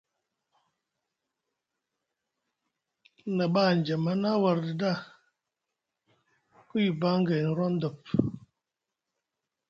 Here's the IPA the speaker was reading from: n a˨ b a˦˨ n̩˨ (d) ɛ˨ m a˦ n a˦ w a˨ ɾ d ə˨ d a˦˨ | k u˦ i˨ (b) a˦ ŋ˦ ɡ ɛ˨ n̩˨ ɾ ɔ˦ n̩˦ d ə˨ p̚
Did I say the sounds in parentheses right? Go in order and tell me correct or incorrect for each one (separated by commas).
incorrect, correct